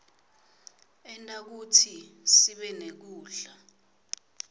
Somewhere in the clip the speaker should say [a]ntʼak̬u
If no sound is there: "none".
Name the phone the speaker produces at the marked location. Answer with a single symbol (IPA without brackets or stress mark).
ɛ